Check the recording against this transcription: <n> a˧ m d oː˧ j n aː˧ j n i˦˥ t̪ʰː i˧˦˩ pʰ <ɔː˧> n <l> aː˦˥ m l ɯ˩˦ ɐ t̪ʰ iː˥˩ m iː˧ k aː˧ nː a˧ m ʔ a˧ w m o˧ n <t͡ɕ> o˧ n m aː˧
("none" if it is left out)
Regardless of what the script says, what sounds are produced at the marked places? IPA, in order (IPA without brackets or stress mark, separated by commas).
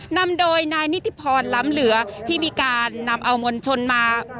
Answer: n, ɔː˧, l, t͡ɕʰ